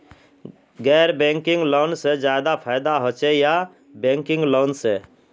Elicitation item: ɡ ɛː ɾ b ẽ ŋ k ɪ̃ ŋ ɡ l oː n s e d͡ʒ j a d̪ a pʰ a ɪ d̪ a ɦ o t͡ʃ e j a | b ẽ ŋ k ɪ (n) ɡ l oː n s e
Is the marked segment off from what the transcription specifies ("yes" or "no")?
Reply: yes